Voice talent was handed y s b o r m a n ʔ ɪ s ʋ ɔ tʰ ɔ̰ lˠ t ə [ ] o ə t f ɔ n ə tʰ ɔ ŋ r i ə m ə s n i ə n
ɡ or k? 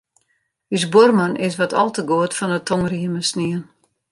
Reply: ɡ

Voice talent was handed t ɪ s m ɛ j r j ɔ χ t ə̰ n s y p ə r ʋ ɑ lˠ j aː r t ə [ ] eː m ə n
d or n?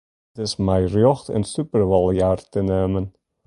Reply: n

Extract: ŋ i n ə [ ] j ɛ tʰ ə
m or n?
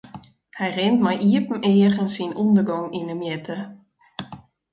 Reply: m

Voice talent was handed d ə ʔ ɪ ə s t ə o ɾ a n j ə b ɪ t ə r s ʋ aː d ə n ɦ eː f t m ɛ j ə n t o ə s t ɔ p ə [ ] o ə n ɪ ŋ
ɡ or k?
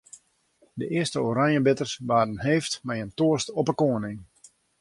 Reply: k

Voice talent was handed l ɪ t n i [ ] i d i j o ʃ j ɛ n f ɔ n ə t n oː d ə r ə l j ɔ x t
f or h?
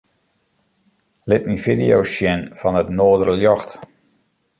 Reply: f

